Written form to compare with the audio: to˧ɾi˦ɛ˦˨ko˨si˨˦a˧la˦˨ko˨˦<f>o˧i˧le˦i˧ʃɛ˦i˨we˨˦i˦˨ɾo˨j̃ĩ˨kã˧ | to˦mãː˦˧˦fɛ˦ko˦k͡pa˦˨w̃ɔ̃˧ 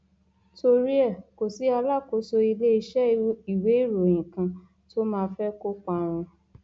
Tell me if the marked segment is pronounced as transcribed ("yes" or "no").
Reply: no